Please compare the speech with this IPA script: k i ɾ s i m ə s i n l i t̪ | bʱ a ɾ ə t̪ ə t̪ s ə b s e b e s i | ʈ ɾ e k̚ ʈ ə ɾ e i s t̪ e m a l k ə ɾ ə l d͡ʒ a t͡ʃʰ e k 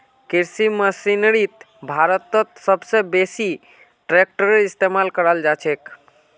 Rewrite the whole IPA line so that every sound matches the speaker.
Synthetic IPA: k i ɾ s i m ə s i n ɾ i t̪ | bʱ a ɾ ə t̪ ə t̪ s ə b s e b e s i | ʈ ɾ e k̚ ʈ ə ɾ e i s t̪ e m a l k ə ɾ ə l d͡ʒ a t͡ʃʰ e k